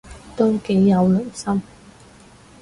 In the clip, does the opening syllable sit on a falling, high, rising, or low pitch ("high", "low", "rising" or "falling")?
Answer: high